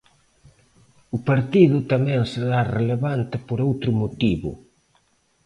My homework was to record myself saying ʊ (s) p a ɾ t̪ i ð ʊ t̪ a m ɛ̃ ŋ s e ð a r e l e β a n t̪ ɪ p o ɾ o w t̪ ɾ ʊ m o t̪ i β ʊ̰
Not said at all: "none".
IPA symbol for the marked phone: none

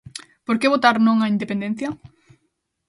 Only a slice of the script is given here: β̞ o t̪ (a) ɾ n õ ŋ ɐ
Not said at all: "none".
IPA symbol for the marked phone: a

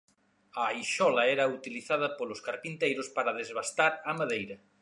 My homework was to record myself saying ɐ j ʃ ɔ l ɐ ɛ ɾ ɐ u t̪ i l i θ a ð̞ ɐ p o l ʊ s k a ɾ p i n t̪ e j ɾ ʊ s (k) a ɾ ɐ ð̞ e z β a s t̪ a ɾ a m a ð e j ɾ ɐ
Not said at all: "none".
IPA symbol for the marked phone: p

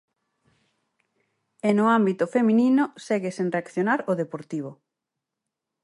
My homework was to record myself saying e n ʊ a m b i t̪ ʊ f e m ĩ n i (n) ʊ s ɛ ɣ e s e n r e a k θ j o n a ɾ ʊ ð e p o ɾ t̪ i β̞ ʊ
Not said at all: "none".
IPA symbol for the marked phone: n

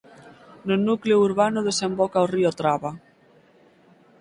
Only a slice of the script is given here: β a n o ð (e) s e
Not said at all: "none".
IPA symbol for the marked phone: e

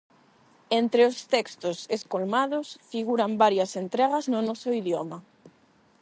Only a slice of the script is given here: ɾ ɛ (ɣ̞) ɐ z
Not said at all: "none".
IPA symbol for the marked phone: ɣ̞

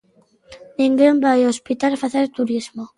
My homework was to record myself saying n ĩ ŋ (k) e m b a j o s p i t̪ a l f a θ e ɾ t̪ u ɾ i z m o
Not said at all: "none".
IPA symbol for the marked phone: ɡ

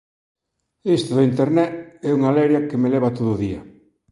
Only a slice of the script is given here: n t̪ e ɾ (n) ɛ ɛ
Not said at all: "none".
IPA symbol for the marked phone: n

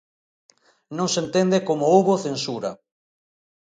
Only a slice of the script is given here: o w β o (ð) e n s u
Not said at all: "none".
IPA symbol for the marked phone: θ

